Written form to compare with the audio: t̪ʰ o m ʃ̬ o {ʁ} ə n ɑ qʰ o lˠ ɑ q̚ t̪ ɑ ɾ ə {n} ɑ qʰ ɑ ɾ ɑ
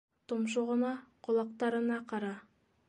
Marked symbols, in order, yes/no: yes, yes

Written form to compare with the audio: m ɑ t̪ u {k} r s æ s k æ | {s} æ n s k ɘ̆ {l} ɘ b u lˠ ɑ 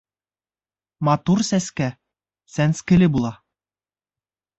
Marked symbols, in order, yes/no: no, yes, yes

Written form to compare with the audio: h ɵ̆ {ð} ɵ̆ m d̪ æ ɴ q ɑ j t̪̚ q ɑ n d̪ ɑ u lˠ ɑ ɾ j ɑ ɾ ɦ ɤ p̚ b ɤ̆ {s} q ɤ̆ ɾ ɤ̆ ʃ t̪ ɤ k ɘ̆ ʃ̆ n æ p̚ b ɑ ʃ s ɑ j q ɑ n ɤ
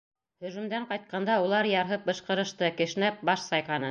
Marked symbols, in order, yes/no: no, no

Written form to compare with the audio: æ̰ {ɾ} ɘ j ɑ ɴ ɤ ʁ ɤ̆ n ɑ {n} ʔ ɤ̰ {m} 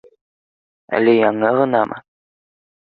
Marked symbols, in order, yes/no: no, no, no

